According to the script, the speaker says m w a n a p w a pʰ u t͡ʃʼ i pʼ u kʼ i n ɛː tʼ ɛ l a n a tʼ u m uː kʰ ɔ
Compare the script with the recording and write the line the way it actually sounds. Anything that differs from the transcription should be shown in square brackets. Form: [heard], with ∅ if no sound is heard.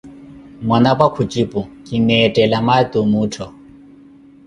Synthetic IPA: m w a n a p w a [kʰ] u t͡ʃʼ i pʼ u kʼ i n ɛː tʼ ɛ l a [m] a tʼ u m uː [tʰ] ɔ